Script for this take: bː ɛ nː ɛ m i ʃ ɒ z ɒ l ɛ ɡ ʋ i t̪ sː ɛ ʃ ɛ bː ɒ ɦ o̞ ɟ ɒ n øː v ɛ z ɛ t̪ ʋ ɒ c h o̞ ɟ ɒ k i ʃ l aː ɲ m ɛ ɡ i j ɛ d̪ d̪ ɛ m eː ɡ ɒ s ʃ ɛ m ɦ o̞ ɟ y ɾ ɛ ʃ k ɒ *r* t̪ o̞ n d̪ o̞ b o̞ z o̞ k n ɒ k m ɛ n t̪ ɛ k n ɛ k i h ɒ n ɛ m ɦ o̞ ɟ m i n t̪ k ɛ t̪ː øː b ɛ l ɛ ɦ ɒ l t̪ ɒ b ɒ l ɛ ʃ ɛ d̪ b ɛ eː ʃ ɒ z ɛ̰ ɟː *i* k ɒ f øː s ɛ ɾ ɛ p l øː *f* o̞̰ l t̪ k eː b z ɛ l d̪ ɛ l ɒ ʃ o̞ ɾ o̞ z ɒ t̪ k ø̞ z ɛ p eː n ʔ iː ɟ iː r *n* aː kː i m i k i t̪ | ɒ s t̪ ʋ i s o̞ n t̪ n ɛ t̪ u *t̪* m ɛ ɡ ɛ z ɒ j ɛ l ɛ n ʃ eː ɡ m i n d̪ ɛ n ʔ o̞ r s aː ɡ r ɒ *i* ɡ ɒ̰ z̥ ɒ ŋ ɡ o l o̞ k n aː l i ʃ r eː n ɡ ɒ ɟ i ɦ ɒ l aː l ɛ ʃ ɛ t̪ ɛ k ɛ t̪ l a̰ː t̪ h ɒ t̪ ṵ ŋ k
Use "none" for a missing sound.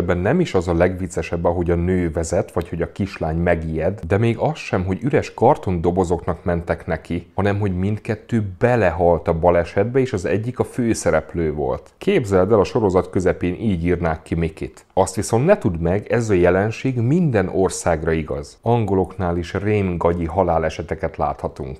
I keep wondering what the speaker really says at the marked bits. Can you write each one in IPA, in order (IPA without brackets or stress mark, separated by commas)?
r, i, v, n, d̪, i